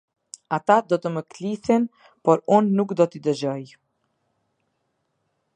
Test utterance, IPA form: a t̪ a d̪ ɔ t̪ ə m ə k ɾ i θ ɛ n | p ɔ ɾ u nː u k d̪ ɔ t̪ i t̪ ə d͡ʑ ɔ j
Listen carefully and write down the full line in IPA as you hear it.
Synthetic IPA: a t̪ a d̪ ɔ t̪ ə m ə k l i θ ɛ n | p ɔ ɾ u nː u k d̪ ɔ t̪ i d̪ ə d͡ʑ ɔ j